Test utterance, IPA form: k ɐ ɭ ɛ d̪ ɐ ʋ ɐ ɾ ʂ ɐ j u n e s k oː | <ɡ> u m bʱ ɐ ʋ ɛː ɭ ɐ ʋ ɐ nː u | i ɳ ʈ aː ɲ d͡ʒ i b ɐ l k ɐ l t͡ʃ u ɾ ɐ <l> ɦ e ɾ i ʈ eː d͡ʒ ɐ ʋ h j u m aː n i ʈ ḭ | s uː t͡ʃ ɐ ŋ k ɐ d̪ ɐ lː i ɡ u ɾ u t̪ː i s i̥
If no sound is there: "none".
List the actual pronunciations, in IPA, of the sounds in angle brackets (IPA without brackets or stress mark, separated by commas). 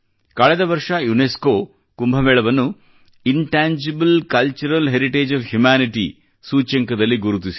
k, l